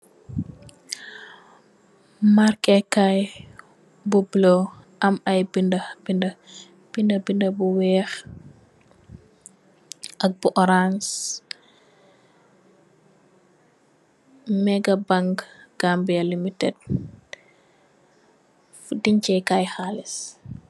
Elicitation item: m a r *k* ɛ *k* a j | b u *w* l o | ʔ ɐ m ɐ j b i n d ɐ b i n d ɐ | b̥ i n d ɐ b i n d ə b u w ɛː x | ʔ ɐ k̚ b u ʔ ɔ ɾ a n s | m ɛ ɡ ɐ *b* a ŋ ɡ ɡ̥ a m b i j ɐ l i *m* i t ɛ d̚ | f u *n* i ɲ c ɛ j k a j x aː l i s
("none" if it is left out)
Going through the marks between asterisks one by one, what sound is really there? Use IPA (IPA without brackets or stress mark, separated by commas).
k, k, b, b, m, d